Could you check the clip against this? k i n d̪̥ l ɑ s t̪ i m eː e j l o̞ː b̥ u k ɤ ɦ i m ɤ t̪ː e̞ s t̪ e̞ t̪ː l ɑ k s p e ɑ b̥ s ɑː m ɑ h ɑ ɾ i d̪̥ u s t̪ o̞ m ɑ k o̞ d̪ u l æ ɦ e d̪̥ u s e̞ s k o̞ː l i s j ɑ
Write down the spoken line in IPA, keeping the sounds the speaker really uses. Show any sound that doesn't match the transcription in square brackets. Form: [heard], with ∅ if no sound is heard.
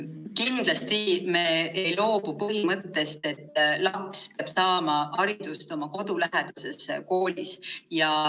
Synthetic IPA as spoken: k i n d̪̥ l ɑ s t̪ i m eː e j l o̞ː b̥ u [p] ɤ ɦ i m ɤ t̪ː e̞ s t̪ e̞ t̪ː l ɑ k s p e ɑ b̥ s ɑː m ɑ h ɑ ɾ i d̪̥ u s t̪ o̞ m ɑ k o̞ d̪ u l æ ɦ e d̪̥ u s e̞ s k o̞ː l i s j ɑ